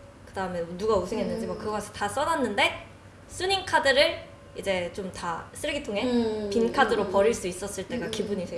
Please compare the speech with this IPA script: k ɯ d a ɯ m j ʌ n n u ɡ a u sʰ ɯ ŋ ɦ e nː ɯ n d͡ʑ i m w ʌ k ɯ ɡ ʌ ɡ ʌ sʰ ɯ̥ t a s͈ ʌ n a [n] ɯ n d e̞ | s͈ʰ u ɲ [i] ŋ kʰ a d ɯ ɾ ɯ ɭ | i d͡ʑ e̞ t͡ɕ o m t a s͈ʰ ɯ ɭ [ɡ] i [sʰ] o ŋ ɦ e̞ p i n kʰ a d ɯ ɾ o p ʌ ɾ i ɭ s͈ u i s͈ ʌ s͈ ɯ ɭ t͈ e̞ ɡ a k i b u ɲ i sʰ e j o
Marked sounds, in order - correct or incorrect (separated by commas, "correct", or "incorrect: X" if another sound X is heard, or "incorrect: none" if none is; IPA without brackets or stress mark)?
incorrect: nː, correct, correct, incorrect: tʰ